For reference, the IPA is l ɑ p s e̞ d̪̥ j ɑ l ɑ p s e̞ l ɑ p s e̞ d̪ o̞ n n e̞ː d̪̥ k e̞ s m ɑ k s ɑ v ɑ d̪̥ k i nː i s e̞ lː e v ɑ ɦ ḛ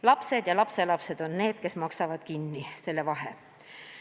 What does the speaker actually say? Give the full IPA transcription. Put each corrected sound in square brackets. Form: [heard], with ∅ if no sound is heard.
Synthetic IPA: l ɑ p s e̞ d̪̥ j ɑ l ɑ p s e̞ l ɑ p s e̞ d̪ o̞ n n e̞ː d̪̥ k e̞ s m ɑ k s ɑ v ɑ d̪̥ k i nː i s e̞ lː e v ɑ ɦ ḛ